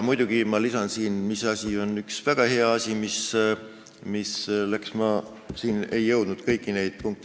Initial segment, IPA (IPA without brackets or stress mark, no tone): m